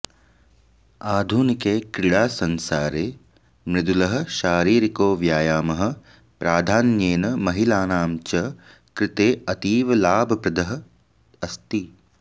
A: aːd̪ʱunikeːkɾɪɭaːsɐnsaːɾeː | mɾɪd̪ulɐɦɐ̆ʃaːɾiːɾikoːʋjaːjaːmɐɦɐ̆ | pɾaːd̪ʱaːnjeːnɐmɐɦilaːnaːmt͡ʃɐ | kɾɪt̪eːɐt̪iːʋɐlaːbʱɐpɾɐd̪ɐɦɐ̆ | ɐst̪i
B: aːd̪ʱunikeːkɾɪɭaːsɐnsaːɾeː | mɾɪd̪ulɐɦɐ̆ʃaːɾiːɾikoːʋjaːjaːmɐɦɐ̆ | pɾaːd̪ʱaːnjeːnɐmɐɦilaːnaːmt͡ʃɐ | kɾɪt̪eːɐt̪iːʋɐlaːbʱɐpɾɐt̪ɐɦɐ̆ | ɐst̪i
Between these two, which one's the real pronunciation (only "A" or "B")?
A